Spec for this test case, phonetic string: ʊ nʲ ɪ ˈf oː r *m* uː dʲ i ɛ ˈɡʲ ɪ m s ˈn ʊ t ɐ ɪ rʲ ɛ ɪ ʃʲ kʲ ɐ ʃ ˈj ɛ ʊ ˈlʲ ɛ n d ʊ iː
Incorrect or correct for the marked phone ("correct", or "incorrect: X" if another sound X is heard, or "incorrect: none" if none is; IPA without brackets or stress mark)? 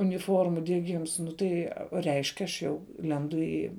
correct